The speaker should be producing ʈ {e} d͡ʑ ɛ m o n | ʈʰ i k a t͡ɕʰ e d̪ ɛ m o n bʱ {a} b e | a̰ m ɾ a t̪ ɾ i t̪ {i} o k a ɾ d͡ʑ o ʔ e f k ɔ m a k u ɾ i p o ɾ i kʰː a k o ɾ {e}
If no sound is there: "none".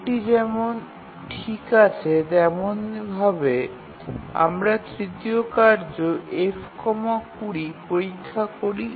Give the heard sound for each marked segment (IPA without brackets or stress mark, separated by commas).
i, a, i, i